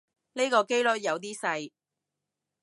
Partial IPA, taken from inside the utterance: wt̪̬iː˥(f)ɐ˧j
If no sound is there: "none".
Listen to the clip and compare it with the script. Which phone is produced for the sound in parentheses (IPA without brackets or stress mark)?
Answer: s